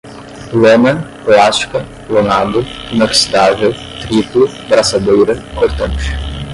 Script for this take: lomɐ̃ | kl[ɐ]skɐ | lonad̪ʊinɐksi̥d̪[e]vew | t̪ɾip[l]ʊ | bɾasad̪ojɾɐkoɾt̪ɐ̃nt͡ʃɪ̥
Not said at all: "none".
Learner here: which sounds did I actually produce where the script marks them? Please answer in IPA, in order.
a, a, l

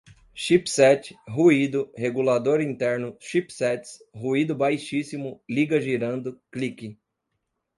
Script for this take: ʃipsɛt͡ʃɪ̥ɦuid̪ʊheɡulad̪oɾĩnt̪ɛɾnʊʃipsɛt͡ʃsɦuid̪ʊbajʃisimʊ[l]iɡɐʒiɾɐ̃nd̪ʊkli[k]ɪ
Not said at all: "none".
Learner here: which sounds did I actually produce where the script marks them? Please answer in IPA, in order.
l, k

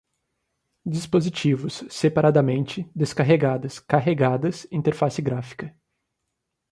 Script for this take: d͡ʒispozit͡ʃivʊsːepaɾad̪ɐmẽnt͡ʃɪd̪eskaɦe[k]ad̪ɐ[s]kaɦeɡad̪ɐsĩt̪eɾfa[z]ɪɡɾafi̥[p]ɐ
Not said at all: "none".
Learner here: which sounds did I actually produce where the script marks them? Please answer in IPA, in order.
ɡ, s, s, k

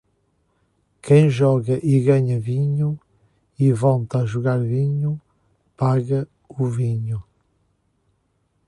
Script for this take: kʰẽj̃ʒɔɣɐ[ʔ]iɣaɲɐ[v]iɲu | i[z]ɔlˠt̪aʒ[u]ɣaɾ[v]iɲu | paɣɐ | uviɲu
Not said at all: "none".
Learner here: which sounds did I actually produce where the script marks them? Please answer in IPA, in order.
ʔ, v, v, u, v

